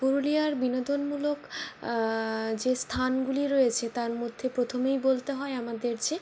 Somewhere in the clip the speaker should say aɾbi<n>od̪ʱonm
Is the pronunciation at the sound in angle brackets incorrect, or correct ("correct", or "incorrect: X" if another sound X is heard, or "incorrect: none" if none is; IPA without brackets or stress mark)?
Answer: correct